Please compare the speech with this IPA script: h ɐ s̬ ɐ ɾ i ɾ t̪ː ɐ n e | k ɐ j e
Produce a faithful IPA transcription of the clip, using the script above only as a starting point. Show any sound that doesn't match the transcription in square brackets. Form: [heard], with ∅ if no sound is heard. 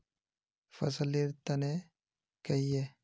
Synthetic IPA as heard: [f] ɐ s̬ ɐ [l] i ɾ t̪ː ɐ n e | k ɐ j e